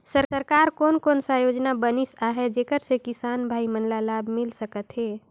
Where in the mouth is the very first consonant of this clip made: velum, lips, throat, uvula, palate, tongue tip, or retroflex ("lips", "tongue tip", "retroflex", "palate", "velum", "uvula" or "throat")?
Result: tongue tip